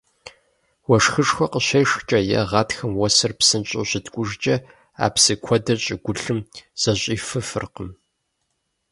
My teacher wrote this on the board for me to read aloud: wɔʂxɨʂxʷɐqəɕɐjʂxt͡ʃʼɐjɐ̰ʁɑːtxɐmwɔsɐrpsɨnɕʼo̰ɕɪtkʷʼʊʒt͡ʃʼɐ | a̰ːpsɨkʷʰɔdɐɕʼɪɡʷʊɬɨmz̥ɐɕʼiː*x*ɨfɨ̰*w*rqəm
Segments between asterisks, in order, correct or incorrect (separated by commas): incorrect, incorrect